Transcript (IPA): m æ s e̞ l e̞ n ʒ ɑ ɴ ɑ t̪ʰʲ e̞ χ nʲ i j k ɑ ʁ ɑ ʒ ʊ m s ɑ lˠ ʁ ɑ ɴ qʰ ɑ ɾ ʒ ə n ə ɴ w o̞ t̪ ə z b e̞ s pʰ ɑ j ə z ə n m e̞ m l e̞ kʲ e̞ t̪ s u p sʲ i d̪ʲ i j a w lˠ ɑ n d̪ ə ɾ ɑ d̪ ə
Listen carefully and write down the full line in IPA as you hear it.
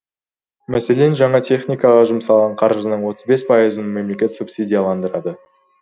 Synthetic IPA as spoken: m æ s e̞ l e̞ n ʒ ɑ ɴ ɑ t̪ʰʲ e̞ χ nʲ i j k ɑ ʁ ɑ ʒ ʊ m s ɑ lˠ ʁ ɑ ɴ qʰ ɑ ɾ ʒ ə n ə ɴ w o̞ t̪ ə z b e̞ s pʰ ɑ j ə z ə n m e̞ m l e̞ kʲ e̞ t̪ s u p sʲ i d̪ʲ i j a lˠ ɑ n d̪ ə ɾ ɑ d̪ ə